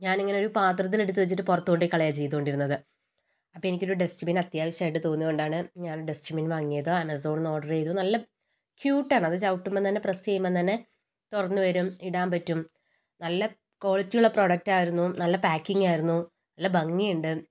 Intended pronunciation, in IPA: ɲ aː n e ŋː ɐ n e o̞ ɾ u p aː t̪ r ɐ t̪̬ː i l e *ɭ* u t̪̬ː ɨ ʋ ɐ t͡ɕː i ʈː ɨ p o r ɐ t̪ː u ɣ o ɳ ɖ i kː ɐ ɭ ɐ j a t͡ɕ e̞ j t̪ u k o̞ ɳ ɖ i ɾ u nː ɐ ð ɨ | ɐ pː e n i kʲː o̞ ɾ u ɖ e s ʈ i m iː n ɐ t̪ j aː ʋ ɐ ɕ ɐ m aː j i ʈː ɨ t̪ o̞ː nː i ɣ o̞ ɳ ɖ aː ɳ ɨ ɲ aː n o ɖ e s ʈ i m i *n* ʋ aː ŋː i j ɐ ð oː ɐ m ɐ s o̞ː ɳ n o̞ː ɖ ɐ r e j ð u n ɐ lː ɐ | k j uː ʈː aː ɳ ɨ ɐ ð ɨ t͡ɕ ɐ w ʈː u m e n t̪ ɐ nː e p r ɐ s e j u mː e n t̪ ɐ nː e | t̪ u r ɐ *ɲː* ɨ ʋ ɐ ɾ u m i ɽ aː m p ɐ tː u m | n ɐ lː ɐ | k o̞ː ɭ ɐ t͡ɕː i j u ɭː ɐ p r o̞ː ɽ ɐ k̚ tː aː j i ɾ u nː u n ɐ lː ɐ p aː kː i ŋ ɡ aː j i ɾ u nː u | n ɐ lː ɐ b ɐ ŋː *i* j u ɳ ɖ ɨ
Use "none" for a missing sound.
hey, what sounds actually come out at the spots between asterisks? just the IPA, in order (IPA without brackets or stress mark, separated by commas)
ɽ, n, nː, i